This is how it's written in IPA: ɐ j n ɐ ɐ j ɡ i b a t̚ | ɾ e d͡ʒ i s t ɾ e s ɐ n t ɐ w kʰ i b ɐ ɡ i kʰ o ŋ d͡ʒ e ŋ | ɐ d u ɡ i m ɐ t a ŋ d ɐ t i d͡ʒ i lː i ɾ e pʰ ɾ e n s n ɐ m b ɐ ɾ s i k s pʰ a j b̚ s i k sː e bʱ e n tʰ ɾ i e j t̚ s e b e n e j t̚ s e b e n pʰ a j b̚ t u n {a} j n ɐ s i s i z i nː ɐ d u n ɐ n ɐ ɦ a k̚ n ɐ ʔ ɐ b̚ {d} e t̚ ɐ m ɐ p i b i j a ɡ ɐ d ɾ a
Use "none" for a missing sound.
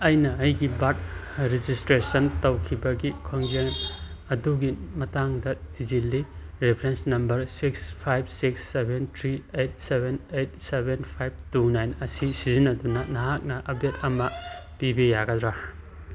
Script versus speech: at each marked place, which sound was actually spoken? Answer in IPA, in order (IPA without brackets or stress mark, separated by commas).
a, d